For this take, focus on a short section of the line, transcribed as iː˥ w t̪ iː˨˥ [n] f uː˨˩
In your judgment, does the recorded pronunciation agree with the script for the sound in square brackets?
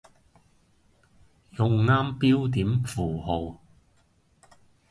no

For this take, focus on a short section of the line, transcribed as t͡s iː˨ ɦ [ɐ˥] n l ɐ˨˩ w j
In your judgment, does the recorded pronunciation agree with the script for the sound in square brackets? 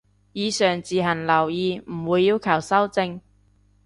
no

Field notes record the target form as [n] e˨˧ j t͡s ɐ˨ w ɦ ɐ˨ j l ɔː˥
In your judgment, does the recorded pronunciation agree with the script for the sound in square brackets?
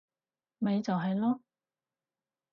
no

